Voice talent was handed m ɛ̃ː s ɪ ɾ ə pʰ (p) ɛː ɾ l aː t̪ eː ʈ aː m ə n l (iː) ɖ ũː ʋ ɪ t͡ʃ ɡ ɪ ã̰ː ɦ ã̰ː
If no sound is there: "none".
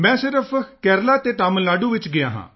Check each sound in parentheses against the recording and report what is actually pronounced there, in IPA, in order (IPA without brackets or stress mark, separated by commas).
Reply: k, aː